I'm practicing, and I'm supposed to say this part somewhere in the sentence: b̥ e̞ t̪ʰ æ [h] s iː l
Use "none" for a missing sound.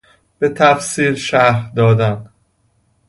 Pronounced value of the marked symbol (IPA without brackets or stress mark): f